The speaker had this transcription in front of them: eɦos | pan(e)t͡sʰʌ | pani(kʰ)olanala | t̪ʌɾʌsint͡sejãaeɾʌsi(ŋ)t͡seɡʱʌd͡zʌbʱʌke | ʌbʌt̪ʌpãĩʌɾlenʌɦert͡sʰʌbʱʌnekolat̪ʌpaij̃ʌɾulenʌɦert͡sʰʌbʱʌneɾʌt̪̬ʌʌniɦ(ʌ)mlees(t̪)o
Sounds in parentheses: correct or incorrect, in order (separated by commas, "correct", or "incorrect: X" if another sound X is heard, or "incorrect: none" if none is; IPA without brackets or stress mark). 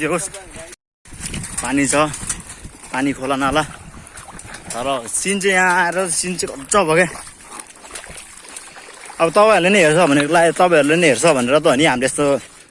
incorrect: i, correct, incorrect: n, incorrect: a, correct